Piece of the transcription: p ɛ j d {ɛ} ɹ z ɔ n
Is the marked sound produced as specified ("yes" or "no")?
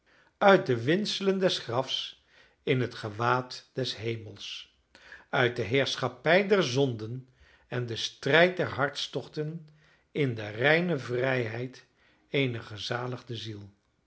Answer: yes